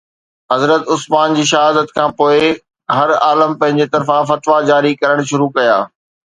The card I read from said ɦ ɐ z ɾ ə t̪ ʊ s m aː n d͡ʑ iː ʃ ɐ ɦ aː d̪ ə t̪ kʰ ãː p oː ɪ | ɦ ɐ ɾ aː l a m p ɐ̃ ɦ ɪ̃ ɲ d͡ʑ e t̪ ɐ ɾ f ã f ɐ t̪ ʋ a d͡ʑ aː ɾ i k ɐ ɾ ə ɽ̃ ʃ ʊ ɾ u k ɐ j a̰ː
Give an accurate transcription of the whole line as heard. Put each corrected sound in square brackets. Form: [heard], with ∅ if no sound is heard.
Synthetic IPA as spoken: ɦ ɐ z ɾ ə t̪ ʊ s m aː n d͡ʑ iː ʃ ɐ ɦ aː d̪ ə t̪ kʰ ãː p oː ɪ | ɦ ɐ ɾ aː l [ə] m p ɐ̃ ɦ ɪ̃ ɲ d͡ʑ e t̪ ɐ ɾ f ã f ɐ t̪ ʋ a d͡ʑ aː ɾ i k ɐ ɾ ə ɽ̃ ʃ ʊ ɾ u k ɐ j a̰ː